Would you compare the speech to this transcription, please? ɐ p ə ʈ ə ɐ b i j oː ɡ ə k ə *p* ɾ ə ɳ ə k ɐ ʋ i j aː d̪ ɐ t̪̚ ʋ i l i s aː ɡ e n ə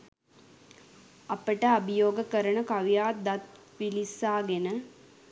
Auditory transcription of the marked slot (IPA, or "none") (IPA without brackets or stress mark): none